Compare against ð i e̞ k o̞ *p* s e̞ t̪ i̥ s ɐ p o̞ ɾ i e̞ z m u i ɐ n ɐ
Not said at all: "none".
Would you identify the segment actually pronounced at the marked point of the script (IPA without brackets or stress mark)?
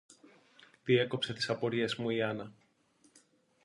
p